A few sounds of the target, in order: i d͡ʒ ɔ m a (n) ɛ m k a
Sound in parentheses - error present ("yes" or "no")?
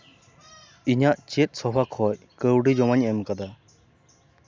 yes